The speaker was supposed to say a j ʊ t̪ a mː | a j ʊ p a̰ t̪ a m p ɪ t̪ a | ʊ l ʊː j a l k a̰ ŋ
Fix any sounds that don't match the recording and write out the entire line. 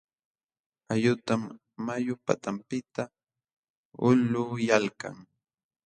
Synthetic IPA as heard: a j ʊ t̪ a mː | a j ʊ p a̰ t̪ a m p ɪ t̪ a | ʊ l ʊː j a l k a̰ ŋ